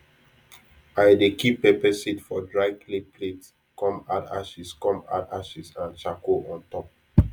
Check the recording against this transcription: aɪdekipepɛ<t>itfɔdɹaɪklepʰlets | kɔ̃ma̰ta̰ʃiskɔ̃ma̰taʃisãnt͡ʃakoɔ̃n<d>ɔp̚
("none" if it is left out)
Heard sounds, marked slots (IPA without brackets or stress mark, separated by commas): s, t